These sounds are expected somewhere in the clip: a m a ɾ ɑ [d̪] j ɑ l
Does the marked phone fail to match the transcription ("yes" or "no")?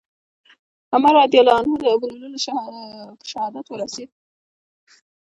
no